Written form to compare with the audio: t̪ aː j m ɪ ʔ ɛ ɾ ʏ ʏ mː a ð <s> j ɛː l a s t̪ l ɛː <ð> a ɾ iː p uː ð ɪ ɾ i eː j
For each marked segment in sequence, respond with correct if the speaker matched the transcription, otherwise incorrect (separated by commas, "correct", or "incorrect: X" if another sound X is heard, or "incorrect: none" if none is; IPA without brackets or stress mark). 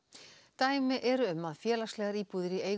incorrect: f, incorrect: ɣ